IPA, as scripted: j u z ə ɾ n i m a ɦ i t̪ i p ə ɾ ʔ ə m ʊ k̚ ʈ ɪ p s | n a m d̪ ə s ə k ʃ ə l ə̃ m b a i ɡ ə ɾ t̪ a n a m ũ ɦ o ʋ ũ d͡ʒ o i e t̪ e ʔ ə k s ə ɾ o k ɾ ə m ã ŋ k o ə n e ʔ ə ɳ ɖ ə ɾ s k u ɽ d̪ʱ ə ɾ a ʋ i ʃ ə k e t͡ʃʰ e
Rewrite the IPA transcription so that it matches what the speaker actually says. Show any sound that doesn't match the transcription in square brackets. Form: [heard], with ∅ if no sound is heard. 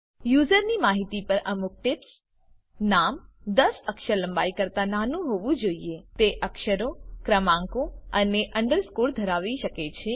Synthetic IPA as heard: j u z ə ɾ n i m a ɦ i t̪ i p ə ɾ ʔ ə m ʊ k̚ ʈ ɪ p s | n a m d̪ ə s ə k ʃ ə l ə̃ m b a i [k] ə ɾ t̪ a n a [n] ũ ɦ o ʋ ũ d͡ʒ o i e t̪ e ʔ ə k [ʃ] ə ɾ o k ɾ ə m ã ŋ k o ə n e ʔ ə ɳ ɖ ə ɾ s k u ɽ d̪ʱ ə ɾ a ʋ i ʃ ə k e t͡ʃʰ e